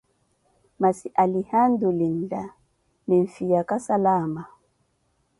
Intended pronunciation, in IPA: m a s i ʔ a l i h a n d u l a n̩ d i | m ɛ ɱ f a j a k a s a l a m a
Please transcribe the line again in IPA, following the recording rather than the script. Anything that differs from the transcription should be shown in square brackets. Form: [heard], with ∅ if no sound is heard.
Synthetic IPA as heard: m a s i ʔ a l i h a n d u l [i] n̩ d [a] | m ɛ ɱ f [i] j a k a s a l a m a